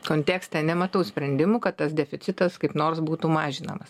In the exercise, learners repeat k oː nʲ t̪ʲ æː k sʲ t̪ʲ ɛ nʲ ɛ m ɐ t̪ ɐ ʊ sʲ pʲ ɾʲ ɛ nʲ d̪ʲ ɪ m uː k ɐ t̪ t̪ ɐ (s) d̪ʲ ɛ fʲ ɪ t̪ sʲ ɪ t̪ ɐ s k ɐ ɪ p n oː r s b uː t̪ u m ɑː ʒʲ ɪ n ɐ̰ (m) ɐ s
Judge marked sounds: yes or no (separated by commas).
yes, yes